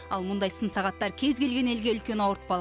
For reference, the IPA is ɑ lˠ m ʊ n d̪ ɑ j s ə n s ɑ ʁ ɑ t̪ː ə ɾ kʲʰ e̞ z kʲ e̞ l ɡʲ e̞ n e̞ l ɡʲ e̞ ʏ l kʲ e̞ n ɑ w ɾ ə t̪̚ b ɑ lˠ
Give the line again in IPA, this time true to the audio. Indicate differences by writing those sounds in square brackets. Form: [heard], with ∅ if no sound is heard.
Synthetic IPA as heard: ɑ lˠ m ʊ n d̪ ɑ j s ə n s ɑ ʁ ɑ t̪ː [ɑ] ɾ kʲʰ e̞ z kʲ e̞ l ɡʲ e̞ n e̞ l ɡʲ e̞ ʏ l kʲ e̞ n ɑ w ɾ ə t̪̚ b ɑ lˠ